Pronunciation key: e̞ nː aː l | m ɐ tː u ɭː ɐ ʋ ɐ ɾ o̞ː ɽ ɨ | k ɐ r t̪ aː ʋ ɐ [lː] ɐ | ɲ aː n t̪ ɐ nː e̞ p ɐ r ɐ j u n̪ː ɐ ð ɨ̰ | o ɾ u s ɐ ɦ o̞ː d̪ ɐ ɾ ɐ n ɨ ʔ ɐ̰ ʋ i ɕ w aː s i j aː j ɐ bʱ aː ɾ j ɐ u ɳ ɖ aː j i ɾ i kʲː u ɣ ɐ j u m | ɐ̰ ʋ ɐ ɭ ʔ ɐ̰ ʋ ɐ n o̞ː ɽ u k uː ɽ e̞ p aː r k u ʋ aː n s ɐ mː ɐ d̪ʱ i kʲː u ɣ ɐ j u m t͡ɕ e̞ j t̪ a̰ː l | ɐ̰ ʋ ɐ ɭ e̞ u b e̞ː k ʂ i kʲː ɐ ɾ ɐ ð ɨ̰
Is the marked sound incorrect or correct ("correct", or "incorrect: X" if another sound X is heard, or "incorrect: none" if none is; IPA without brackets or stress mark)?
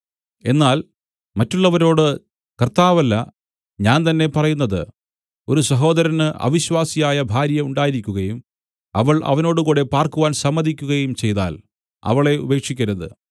correct